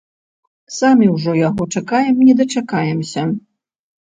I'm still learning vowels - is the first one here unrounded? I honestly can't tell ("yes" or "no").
yes